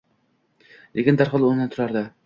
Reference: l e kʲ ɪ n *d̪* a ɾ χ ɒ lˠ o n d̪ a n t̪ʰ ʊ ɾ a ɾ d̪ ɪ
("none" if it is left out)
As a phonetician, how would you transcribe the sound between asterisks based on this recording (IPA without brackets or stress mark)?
d̪